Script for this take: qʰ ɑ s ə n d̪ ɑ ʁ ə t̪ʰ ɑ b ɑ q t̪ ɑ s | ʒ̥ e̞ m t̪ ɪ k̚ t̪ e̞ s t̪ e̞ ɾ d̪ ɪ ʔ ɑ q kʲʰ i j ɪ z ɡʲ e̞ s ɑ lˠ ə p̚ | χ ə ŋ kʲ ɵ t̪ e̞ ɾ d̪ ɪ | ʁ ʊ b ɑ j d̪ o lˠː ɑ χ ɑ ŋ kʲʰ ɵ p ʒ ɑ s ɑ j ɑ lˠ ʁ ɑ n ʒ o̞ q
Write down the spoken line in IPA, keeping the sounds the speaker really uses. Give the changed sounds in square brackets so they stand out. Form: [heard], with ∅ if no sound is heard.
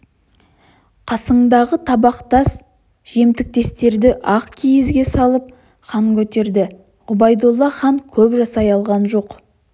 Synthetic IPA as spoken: qʰ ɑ s ə [ɴ] d̪ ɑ ʁ ə t̪ʰ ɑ b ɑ q t̪ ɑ s | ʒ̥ e̞ m t̪ ɪ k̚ t̪ e̞ s t̪ e̞ ɾ d̪ ɪ ʔ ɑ q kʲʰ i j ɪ z ɡʲ e̞ s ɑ lˠ ə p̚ | χ [ɑ] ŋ kʲ ɵ t̪ e̞ ɾ d̪ ɪ | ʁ ʊ b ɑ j d̪ o lˠː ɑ χ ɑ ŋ kʲʰ ɵ p ʒ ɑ s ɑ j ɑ lˠ ʁ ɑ n ʒ o̞ q